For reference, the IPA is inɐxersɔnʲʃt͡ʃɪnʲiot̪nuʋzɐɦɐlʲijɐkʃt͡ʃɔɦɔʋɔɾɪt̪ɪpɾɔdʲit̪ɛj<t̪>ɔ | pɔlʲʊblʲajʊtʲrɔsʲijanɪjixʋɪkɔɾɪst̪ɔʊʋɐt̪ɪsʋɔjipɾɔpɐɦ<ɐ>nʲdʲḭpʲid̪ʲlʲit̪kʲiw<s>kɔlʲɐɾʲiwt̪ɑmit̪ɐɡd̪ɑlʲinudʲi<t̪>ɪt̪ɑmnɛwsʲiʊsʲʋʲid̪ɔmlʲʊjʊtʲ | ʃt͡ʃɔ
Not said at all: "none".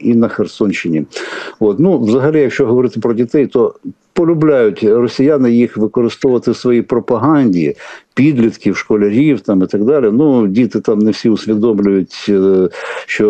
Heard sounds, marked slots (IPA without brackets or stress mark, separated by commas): t̪, ɑ, ʃ, t̪